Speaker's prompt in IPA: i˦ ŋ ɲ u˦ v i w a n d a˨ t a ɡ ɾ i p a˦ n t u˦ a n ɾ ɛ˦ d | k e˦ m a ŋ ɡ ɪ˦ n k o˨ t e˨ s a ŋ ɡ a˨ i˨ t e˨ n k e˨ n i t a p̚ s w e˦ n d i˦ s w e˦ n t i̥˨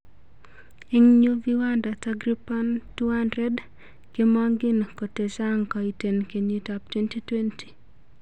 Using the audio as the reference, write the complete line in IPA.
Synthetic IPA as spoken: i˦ ŋ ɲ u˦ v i w a n d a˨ t a ɡ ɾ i p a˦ n t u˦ a n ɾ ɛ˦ d | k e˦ m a ŋ ɡ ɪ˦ n k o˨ t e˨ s a ŋ k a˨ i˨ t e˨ n k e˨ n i t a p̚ t w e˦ n t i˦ t w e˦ n t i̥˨